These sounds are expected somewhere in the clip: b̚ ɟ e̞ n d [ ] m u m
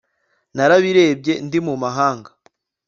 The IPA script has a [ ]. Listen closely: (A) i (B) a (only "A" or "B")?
A